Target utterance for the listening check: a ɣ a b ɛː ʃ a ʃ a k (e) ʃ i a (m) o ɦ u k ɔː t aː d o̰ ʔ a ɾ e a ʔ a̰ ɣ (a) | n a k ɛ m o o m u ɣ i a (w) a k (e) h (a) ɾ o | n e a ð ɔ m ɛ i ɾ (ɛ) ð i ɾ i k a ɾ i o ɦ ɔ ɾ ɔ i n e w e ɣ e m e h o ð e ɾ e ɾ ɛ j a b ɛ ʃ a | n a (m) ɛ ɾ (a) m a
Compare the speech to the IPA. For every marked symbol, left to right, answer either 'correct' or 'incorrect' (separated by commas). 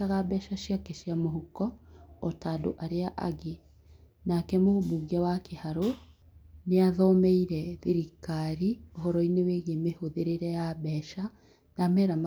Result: correct, correct, incorrect, correct, correct, correct, correct, correct, correct